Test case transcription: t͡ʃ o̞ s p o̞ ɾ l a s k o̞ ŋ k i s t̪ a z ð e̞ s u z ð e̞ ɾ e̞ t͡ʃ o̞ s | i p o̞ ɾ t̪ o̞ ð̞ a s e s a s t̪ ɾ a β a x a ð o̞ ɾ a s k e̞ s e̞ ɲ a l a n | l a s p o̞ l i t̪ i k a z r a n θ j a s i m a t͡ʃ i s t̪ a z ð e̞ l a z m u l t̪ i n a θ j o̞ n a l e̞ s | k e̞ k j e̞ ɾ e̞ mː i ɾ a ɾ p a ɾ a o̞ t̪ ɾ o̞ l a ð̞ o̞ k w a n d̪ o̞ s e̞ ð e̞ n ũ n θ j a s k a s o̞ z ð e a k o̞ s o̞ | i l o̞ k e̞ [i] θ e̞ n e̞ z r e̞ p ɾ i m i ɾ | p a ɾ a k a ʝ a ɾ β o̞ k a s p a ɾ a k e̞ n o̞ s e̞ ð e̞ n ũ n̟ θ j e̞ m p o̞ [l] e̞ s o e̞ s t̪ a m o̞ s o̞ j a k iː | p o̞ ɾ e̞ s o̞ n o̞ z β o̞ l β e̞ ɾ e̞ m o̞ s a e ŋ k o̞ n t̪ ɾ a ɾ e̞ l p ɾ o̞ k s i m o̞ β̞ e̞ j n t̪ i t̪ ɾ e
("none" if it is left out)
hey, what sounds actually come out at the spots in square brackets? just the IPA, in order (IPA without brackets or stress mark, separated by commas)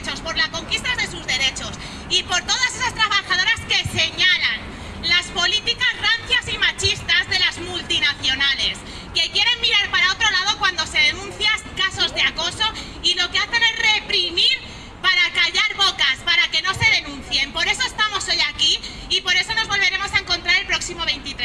a, ɾ